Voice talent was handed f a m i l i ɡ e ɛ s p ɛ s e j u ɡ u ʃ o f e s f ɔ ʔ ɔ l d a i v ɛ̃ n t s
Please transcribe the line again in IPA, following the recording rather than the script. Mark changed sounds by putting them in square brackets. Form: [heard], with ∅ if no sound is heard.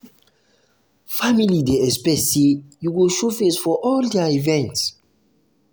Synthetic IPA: f a m i l i [d] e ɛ s p ɛ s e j u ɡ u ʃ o f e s f ɔ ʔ ɔ l d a i v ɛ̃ n t s